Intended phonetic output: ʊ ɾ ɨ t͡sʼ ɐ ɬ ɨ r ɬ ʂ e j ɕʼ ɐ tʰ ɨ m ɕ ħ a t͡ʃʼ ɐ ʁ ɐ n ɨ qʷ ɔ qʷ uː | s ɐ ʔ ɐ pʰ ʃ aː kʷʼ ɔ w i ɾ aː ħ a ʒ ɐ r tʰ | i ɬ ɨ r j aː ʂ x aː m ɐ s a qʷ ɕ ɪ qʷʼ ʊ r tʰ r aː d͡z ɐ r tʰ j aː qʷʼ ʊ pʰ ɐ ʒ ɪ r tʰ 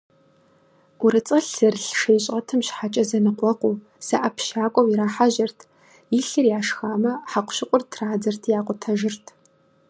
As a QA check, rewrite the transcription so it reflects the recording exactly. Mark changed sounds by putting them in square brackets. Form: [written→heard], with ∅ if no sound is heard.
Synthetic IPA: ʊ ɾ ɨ t͡sʼ ɐ ɬ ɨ r ɬ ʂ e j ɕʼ ɐ tʰ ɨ m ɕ ħ a t͡ʃʼ ɐ [ʁ→z] ɐ n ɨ qʷ ɔ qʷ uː | s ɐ ʔ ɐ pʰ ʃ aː kʷʼ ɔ w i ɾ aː ħ a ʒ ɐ r tʰ | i ɬ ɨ r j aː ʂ x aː m ɐ [s→ħ] a qʷ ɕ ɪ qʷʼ ʊ r tʰ r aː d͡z ɐ r tʰ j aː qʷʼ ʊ [pʰ→tʰ] ɐ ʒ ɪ r tʰ